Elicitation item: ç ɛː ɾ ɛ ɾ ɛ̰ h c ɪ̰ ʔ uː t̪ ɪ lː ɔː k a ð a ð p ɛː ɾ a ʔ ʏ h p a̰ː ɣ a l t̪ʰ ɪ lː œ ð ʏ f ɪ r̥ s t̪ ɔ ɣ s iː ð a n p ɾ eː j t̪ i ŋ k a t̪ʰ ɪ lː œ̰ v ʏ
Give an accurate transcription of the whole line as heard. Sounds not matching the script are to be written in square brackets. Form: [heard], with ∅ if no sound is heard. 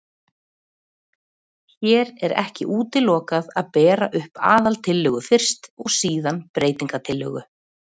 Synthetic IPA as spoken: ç ɛː ɾ ɛ ɾ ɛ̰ h c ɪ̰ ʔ uː t̪ ɪ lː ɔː k a ð a ð p ɛː ɾ a ʔ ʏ h p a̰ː [ð] a l t̪ʰ ɪ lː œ [ɣ] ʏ f ɪ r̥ s t̪ ɔ ɣ s iː ð a n p ɾ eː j t̪ i ŋ k a t̪ʰ ɪ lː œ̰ [ɣ] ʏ